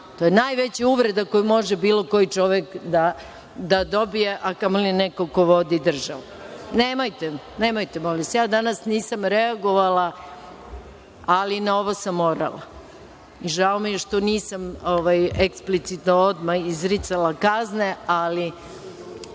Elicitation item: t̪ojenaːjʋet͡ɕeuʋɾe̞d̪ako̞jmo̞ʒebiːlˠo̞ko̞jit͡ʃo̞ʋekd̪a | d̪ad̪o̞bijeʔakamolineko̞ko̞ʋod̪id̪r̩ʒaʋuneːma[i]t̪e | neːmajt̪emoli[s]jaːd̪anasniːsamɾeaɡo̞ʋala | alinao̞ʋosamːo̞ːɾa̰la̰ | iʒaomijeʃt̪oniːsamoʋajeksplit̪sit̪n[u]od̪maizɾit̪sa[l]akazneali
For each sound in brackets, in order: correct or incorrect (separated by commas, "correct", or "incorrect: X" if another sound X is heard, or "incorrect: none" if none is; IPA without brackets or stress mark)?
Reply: incorrect: j, correct, incorrect: o, correct